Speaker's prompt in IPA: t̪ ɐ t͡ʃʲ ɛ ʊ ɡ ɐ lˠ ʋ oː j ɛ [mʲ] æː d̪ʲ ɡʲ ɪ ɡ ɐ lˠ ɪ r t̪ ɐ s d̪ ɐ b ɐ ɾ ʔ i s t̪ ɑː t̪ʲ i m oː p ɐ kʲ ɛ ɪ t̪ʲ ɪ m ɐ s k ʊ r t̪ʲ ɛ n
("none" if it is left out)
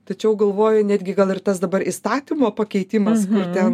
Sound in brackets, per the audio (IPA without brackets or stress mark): nʲ